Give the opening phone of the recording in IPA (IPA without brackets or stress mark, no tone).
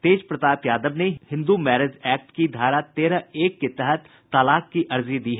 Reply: t̪